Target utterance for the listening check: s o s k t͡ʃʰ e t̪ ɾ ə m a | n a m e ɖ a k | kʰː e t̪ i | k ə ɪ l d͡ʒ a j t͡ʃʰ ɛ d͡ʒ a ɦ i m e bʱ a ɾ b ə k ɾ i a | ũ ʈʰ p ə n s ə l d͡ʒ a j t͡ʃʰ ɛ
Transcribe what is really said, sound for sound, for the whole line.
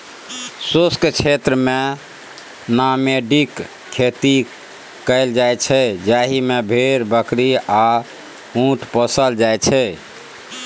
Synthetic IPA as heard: s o s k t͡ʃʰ e t̪ ɾ ə m e | n a m e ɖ i k | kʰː e t̪ i | k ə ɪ l d͡ʒ a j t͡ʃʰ ɛ d͡ʒ a ɦ i m e bʱ e ɾ b ə k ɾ i a | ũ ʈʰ p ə s ə l d͡ʒ a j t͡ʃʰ ɛ